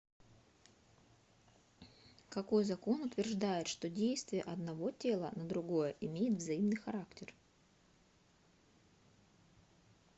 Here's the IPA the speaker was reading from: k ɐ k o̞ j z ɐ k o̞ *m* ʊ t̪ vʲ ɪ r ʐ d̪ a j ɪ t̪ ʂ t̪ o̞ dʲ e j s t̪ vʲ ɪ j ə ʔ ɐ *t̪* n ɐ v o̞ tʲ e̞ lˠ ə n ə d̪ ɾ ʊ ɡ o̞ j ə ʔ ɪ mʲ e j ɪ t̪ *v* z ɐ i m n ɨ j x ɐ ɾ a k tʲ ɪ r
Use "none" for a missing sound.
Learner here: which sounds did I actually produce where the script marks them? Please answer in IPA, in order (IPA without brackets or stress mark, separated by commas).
n, d̪, v